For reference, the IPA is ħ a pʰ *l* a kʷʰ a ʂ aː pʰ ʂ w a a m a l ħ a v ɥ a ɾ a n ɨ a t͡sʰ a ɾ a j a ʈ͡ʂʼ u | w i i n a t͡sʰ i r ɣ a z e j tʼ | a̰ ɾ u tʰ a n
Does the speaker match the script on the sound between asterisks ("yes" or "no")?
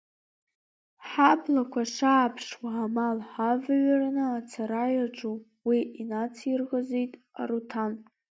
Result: yes